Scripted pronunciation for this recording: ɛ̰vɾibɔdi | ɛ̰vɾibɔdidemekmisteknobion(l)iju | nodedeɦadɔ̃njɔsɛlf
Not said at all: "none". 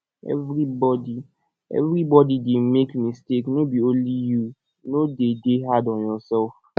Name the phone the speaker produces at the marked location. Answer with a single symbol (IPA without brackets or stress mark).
l